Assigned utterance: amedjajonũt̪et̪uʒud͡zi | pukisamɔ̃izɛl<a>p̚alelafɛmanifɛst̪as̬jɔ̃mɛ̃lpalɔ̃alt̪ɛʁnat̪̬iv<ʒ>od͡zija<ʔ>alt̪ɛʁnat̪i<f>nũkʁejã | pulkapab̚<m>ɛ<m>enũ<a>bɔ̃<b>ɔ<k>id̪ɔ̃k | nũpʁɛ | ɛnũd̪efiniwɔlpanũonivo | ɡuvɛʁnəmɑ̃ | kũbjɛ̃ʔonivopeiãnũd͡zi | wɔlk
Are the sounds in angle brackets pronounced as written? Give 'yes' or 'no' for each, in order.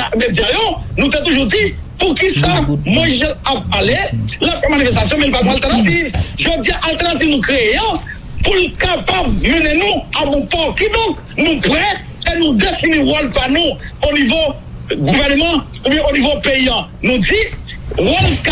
yes, yes, yes, no, yes, no, yes, no, yes

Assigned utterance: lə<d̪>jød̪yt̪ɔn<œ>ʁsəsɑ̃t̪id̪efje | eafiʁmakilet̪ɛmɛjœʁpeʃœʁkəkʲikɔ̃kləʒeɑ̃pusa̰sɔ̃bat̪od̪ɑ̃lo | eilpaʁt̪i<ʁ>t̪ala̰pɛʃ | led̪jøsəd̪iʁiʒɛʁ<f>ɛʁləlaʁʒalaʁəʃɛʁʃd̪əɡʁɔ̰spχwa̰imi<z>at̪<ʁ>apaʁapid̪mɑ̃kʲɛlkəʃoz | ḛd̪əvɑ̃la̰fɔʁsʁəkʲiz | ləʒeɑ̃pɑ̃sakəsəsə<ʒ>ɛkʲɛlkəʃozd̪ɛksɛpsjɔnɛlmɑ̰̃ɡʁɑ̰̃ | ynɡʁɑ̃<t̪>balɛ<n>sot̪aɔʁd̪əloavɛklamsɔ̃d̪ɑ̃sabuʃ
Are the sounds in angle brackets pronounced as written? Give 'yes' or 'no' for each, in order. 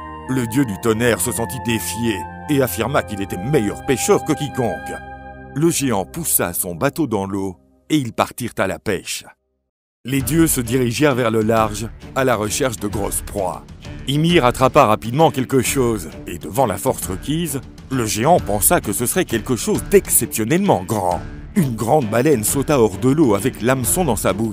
yes, no, yes, no, no, no, no, no, yes

